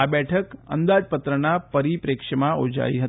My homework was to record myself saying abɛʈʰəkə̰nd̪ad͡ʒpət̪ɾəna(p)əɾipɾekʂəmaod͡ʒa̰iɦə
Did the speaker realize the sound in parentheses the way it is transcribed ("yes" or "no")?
yes